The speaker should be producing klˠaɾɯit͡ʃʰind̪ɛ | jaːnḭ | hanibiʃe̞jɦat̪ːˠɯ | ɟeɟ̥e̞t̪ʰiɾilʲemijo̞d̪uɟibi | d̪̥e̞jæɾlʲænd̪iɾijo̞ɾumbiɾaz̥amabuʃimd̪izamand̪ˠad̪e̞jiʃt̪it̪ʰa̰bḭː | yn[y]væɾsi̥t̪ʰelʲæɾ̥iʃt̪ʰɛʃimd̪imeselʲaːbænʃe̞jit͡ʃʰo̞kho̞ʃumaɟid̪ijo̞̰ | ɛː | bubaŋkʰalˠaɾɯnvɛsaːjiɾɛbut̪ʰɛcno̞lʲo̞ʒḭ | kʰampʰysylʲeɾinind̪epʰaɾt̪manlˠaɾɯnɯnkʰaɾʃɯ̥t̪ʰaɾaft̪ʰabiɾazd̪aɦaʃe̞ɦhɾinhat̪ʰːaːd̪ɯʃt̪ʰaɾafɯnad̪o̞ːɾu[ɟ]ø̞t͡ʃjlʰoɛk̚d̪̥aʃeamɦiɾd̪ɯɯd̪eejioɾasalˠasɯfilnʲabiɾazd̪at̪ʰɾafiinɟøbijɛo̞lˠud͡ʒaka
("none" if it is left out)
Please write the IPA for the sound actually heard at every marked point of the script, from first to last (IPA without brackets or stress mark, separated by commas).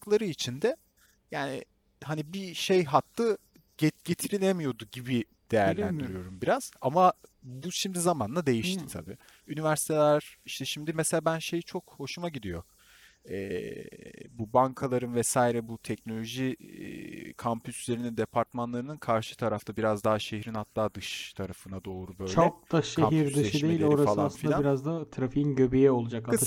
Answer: i, b